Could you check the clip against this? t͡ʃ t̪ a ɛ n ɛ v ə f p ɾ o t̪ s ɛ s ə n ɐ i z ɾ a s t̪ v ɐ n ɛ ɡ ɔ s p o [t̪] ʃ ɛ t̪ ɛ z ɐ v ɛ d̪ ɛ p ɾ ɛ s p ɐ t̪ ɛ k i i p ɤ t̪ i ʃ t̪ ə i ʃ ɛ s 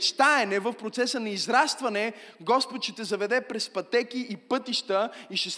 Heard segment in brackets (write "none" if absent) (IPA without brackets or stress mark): t̪